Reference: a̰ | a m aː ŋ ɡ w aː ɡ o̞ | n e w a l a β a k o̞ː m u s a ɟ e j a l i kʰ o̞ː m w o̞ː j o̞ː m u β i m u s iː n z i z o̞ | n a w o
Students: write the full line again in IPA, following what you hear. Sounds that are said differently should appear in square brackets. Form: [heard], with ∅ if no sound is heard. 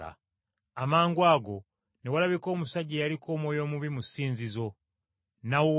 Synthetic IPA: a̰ | a m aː ŋ ɡ w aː ɡ o̞ | n e w a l a β [i] k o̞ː m u s a ɟ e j a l i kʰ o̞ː m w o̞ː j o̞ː m u β i m u s iː n z i z o̞ | n a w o